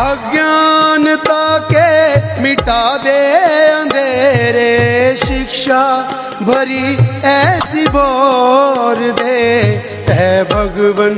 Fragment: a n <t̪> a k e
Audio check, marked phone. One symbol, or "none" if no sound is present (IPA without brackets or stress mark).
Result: t̪